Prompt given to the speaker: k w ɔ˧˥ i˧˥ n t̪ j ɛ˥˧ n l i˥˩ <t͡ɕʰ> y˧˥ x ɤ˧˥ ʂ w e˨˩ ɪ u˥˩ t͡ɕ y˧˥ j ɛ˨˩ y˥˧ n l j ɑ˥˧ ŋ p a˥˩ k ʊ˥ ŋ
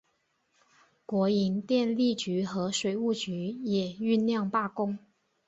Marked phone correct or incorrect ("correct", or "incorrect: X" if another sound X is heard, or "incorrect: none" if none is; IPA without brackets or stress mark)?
incorrect: t͡ɕ